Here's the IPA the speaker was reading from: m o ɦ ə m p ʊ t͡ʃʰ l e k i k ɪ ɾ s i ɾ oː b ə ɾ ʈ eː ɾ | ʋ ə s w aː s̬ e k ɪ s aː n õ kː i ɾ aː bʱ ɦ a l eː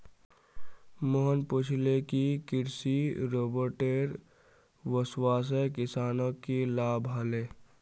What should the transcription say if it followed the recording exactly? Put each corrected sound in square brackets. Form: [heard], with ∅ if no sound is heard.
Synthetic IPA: m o ɦ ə [n] p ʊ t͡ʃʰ l e k i k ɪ ɾ s i ɾ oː b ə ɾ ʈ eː ɾ | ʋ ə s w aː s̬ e k ɪ s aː n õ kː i [l] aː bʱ ɦ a l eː